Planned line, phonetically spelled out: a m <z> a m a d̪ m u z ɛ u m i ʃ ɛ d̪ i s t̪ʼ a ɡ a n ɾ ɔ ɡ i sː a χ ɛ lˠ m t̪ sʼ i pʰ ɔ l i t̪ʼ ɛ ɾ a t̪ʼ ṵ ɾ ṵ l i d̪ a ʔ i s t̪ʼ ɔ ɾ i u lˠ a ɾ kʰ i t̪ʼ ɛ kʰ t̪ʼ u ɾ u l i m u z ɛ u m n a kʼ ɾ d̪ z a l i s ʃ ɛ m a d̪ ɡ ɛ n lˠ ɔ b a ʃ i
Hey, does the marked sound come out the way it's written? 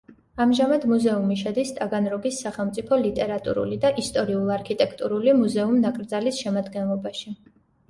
no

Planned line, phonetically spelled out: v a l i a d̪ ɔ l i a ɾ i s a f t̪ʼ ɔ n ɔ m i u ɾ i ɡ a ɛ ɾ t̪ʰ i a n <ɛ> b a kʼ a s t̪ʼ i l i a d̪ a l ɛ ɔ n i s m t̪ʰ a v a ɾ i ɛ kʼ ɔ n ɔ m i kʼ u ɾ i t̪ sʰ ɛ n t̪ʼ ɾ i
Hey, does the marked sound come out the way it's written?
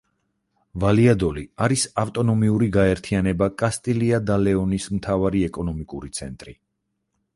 yes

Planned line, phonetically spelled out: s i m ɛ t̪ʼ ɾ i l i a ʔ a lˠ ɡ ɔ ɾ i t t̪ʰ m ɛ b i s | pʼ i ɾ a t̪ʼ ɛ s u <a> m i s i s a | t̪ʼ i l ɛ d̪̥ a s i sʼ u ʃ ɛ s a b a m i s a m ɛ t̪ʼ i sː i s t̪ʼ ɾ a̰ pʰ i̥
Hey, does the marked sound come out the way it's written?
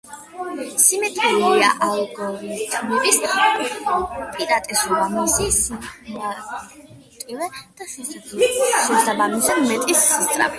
yes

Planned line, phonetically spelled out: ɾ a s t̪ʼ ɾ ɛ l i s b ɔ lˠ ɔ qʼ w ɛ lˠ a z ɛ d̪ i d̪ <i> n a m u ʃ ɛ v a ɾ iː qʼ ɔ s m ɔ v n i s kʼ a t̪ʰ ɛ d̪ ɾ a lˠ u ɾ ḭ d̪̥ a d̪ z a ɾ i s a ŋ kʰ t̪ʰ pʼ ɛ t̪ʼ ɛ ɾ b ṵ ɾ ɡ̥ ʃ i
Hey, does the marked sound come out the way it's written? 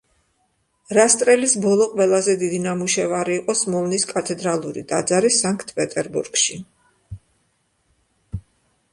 yes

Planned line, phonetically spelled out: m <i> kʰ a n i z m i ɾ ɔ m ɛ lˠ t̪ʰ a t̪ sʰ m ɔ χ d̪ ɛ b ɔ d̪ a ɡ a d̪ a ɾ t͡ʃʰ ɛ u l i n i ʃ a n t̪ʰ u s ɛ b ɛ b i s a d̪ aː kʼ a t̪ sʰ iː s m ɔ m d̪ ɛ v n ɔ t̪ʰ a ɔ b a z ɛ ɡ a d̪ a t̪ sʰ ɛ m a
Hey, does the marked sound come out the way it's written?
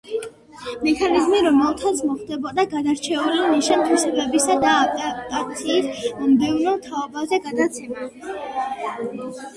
no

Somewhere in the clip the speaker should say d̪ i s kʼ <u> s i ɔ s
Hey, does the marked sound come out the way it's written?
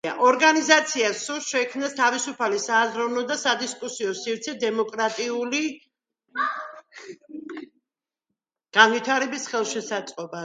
yes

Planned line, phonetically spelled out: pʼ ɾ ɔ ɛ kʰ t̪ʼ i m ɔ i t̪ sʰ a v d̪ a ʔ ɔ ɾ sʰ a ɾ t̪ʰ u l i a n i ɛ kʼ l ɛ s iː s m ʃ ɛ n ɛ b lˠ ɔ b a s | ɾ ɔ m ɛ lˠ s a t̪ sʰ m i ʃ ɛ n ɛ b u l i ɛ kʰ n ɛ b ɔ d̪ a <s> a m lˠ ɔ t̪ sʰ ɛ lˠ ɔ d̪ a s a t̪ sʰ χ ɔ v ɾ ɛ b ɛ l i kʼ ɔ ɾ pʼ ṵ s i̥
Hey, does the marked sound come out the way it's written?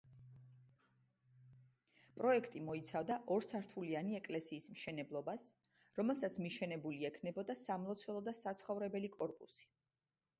yes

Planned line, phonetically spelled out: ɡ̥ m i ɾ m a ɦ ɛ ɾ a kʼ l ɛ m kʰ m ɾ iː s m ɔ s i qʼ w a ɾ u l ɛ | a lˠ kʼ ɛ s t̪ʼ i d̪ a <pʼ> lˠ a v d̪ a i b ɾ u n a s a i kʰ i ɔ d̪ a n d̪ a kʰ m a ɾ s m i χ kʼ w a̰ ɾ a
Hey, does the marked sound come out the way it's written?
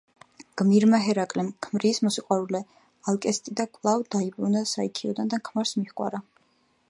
no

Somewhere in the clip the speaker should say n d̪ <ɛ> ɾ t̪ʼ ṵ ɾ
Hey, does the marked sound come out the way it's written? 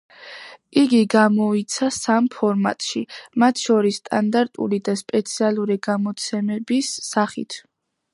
no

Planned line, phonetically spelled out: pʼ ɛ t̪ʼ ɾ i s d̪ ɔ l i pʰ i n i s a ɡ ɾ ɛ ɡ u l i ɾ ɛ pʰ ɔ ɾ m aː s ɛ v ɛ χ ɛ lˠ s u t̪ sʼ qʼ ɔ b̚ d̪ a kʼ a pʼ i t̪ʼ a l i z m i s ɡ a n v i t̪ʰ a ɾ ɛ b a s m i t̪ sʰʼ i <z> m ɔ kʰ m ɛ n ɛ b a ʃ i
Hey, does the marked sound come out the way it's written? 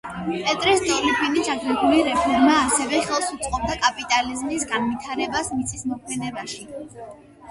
no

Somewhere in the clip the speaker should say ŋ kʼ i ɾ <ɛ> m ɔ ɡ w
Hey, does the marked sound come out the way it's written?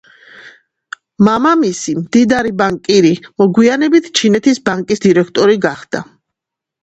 no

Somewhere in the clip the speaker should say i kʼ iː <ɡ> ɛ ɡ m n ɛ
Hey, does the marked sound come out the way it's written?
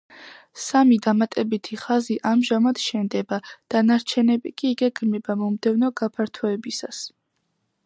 yes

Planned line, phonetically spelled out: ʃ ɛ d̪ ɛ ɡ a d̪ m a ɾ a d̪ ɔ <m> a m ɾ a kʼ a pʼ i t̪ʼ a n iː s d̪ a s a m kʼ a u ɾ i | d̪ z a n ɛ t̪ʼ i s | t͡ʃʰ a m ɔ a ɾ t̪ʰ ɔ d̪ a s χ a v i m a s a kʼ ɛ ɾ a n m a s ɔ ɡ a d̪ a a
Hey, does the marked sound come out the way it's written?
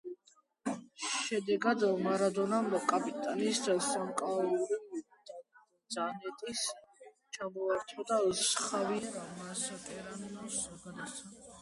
no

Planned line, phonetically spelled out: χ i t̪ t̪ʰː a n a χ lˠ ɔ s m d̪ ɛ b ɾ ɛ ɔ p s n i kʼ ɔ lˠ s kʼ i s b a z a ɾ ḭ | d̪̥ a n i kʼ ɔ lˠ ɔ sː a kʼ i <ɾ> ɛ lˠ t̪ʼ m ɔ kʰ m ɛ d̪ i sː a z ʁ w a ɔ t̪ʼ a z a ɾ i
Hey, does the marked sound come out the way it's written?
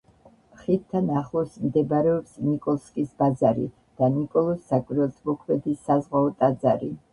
yes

